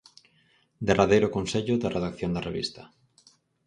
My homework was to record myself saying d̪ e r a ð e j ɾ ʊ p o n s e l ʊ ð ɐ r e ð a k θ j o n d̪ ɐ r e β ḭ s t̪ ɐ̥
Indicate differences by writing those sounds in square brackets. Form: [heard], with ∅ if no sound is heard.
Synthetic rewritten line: d̪ e r a ð e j ɾ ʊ [k] o n s e [ʎ] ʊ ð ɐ r e ð a k θ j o n d̪ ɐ r e β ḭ s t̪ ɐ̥